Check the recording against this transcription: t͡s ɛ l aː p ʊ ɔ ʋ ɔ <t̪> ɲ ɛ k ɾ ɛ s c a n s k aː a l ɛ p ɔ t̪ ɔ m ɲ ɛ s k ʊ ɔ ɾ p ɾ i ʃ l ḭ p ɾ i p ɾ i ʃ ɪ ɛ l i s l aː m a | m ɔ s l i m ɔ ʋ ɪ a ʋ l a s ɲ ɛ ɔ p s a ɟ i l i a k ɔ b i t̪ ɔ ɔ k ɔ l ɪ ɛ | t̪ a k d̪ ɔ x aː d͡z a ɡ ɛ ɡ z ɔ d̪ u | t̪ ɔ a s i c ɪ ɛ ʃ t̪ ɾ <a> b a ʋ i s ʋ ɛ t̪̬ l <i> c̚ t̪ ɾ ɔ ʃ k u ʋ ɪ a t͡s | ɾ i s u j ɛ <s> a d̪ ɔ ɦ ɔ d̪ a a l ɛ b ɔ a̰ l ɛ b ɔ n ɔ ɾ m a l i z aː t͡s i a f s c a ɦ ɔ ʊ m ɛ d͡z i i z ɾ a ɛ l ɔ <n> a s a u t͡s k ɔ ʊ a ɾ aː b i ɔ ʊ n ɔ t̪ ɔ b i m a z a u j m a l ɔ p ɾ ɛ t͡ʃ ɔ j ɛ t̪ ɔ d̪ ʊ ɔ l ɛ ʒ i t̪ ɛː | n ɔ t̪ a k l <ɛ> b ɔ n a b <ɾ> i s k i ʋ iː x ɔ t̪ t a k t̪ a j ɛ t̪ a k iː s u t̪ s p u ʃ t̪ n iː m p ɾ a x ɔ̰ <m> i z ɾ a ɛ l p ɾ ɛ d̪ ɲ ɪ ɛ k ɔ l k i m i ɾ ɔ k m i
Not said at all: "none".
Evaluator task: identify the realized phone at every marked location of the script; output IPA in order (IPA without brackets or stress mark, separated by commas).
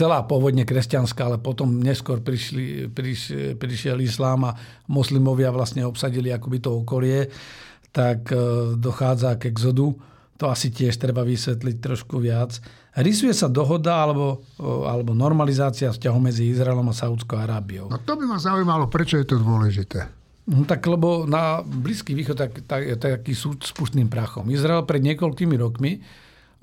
d̪, ɛ, i, s, m, ɛ, l, m